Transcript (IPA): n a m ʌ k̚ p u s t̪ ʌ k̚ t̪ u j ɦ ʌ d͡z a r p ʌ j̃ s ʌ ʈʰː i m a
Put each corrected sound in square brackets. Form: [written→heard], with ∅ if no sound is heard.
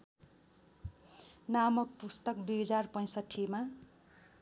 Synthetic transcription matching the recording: n a m ʌ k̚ p u s t̪ ʌ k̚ [t̪→d̪] u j ɦ ʌ d͡z a r p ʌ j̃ s ʌ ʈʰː i m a

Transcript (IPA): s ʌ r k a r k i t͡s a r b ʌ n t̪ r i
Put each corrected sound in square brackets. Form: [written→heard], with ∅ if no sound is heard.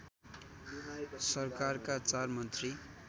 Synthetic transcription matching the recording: s ʌ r k a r k [i→a] t͡s a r [b→m] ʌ n t̪ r i

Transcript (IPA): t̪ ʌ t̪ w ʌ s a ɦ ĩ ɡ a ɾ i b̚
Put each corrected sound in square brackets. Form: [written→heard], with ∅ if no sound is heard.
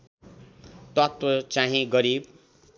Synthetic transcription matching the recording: t̪ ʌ t̪ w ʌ [s→t͡s] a ɦ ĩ ɡ [a→ʌ] ɾ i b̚

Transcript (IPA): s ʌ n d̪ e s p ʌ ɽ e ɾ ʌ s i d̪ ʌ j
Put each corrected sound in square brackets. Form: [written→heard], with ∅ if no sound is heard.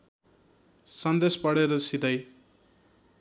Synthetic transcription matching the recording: s ʌ n d̪ e s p ʌ ɽ e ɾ ʌ s i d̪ ʌ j

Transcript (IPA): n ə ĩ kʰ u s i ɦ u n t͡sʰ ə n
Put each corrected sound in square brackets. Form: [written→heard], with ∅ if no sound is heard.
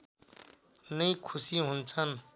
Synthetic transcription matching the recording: n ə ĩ kʰ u s i ɦ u n t͡sʰ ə n

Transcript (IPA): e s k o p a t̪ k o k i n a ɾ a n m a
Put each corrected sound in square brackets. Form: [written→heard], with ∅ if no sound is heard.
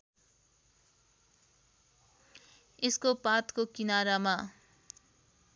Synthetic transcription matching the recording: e s k o p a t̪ k o k i n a ɾ a [n→∅] m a

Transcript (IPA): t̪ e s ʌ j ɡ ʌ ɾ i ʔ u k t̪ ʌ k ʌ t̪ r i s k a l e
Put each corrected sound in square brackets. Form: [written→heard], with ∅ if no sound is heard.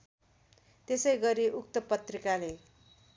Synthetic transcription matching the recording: t̪ e s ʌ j ɡ ʌ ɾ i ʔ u k t̪ ʌ [k→p] ʌ t̪ r i [s→∅] k a l e

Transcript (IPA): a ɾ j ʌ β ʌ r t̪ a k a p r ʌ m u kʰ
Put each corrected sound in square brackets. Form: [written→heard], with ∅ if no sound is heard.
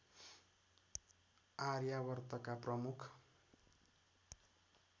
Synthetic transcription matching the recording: a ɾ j [ʌ→a] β ʌ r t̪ [a→ʌ] k a p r ʌ m u kʰ

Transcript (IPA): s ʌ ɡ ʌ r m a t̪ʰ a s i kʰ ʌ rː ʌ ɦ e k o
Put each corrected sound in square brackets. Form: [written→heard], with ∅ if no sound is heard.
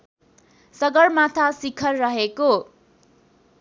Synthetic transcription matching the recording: s ʌ ɡ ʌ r m a t̪ʰ a s i kʰ ʌ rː ʌ ɦ e k o

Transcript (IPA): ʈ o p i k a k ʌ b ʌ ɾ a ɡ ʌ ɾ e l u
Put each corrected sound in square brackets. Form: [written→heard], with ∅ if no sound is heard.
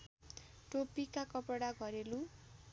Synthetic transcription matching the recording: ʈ o p i k a k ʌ [b→p] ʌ [ɾ→ɽ] a ɡ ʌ ɾ e l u

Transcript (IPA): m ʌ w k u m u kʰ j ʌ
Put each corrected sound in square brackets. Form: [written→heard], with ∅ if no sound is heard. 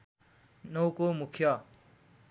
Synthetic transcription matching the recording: [m→n] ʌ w k [u→o] m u kʰ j ʌ

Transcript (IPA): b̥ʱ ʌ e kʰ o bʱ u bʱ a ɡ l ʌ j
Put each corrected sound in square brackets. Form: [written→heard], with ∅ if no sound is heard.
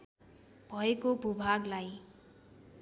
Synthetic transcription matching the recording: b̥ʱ ʌ e [kʰ→k] o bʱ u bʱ a ɡ l [ʌ→a] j

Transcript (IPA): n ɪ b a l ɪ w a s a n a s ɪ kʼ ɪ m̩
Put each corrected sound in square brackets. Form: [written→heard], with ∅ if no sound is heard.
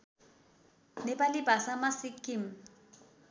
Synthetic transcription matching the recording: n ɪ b a l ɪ [w→b] a s a [n→m] a s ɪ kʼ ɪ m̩

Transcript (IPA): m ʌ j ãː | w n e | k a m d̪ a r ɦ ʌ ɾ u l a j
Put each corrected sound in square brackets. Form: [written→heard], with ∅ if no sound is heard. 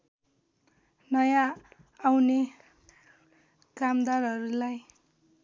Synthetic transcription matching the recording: [m→n] ʌ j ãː | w n e | k a m d̪ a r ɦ ʌ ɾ u l a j

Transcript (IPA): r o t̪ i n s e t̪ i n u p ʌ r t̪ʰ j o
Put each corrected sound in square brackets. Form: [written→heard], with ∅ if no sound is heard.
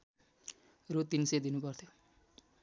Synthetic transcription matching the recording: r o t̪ i n s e [t̪→d̪] i n u p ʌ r t̪ʰ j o

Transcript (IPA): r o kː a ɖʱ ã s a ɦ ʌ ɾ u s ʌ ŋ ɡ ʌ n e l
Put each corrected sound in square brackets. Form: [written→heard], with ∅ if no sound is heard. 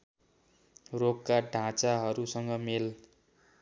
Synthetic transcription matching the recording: r o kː a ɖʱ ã [s→t͡s] a ɦ ʌ ɾ u s ʌ ŋ ɡ ʌ [n→m] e l

